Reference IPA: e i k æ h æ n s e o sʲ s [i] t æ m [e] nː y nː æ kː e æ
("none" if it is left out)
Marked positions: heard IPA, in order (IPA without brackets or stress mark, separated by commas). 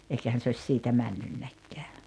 iː, æ